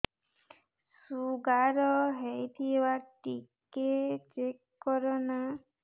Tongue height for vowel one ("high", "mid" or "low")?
high